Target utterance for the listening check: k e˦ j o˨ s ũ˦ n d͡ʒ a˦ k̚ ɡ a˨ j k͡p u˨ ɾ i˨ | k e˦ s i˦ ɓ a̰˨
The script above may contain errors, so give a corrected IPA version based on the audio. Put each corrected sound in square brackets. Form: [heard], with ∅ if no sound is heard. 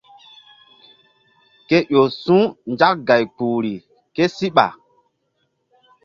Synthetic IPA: k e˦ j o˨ s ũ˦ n d͡ʒ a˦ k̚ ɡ a˨ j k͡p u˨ ɾ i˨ | k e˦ s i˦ ɓ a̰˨